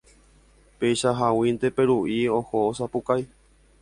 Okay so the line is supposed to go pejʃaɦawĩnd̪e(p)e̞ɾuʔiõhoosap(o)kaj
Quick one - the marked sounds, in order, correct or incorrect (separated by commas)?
correct, incorrect